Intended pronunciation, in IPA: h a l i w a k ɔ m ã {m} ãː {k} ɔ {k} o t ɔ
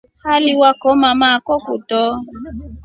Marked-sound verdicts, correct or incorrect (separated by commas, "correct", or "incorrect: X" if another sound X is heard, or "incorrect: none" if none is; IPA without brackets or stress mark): correct, correct, correct